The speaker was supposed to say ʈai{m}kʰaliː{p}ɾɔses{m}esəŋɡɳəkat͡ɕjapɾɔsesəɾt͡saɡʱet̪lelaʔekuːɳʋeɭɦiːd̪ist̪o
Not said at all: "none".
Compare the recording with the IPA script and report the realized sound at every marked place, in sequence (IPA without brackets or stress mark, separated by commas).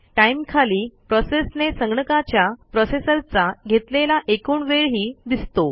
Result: m, p, n